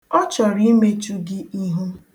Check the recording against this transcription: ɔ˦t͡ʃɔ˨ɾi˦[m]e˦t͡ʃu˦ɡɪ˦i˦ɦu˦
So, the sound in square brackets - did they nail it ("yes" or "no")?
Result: yes